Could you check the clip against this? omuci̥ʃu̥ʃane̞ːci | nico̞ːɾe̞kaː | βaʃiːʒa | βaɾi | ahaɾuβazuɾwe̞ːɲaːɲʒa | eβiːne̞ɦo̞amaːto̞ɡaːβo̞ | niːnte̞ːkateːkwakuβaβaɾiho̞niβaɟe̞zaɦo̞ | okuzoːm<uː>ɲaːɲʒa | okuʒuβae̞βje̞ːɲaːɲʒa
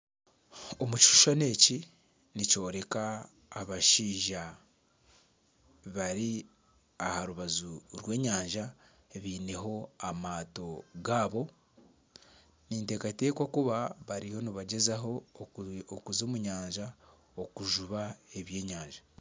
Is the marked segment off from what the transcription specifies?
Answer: yes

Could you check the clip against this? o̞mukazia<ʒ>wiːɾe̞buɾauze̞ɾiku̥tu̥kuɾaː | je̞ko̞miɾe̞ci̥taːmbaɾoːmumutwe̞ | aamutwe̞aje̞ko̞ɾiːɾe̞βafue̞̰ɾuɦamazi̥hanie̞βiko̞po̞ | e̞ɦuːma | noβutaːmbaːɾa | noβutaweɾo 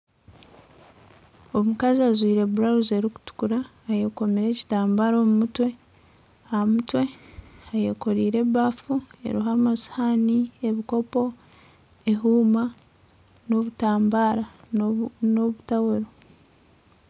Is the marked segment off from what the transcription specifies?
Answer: yes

